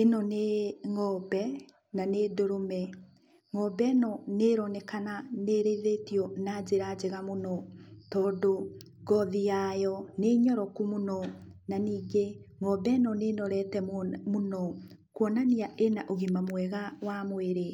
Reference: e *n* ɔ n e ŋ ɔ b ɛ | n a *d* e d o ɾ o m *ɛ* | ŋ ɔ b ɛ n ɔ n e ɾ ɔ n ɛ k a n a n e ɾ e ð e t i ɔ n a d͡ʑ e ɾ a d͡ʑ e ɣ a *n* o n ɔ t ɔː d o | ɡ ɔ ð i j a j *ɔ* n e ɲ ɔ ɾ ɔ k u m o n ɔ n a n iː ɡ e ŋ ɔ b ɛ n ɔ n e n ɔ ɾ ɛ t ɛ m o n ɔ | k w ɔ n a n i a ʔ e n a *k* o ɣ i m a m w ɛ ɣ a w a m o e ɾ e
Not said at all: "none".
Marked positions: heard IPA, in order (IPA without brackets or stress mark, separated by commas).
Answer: n, n, ɛ, m, ɔ, ʔ